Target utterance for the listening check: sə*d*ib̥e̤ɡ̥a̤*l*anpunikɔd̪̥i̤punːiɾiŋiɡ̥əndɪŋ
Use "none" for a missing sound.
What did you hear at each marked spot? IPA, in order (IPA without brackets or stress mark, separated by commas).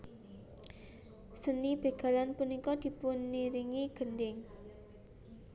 n, l